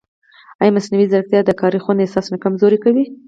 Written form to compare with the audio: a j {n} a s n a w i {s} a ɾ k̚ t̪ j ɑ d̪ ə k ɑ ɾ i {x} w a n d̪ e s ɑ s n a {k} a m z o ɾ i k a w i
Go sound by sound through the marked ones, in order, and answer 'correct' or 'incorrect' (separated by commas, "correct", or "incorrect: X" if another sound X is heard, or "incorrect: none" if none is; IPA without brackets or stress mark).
incorrect: m, incorrect: z, correct, correct